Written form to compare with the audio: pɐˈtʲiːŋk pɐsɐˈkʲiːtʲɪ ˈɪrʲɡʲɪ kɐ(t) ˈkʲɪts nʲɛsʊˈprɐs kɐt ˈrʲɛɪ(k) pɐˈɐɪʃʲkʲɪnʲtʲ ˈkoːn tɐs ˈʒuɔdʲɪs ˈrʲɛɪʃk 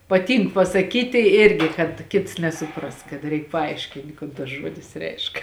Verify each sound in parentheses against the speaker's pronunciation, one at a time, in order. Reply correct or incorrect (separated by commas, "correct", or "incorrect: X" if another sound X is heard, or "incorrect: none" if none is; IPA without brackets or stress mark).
correct, correct